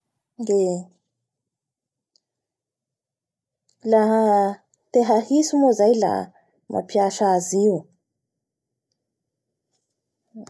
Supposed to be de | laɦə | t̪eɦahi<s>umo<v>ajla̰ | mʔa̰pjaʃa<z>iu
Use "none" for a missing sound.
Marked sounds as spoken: s, z, z

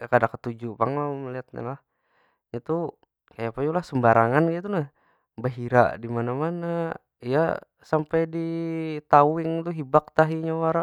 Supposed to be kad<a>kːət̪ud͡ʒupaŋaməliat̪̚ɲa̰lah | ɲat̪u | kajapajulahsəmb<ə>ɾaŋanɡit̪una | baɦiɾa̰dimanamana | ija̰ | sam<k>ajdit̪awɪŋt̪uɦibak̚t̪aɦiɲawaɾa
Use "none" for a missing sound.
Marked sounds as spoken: a, a, p

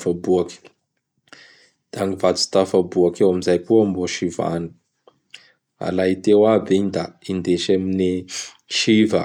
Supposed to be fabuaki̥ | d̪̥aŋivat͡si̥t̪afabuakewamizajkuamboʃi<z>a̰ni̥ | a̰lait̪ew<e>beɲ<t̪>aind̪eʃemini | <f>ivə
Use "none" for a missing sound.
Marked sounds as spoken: v, a, d̪, ʃ

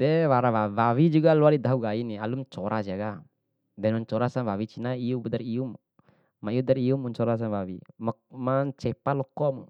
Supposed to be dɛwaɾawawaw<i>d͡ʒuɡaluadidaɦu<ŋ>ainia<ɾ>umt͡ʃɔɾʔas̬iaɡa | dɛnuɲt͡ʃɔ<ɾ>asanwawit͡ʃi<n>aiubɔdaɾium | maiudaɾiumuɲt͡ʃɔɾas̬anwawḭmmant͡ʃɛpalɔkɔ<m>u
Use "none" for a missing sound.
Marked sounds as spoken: i, ɡ, l, ɾ, n, m

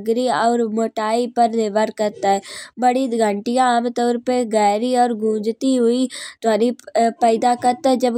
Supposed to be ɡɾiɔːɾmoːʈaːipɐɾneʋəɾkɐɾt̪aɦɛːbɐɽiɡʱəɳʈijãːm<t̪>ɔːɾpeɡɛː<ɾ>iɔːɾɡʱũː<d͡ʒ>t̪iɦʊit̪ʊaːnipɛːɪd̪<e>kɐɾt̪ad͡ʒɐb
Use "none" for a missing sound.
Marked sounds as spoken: t̪, ɾ, d͡ʒ, a

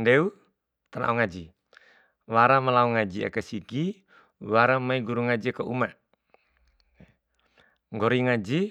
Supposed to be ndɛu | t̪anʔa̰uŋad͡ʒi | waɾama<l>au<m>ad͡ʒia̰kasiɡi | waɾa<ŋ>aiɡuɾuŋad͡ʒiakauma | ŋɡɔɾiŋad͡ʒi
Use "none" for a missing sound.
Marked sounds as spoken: l, ŋ, m

